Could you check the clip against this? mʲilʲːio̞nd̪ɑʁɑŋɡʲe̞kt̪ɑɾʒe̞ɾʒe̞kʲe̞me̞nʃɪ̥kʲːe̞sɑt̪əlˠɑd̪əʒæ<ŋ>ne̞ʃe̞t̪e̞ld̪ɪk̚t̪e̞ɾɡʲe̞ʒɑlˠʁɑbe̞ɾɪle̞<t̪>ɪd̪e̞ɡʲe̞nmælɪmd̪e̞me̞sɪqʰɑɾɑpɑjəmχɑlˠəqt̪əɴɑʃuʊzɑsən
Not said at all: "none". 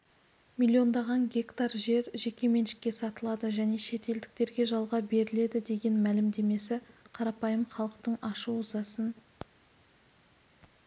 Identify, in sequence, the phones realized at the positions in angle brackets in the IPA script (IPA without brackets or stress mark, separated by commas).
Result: none, d̪